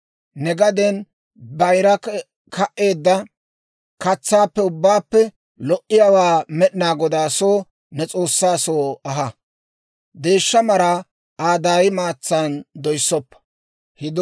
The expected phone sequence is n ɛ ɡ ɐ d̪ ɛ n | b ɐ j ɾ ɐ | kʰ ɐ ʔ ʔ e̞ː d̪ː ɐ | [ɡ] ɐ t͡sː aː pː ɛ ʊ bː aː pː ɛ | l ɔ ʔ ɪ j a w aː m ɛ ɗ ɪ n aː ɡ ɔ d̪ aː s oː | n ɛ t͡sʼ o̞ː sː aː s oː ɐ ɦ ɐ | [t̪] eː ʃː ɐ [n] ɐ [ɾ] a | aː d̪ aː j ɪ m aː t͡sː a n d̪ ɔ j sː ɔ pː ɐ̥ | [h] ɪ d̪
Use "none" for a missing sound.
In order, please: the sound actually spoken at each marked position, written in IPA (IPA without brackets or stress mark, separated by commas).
k, d̪, m, ɾ, h